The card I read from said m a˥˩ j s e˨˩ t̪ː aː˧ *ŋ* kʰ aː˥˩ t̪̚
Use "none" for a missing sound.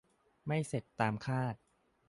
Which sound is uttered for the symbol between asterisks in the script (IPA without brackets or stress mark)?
m